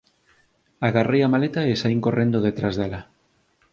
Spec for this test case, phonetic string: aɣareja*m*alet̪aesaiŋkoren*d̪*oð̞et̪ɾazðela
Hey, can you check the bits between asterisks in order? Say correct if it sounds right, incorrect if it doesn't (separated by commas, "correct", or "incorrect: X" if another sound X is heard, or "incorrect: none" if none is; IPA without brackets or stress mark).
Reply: correct, correct